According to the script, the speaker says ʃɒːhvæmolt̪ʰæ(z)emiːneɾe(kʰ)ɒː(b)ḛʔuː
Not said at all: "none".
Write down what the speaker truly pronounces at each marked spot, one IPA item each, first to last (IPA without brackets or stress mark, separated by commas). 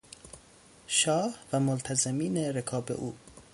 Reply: z, kʰ, b